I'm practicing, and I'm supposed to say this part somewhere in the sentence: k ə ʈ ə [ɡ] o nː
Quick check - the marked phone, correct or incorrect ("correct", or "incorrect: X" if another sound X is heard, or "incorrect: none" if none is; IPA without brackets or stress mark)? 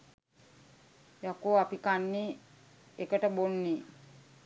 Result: incorrect: b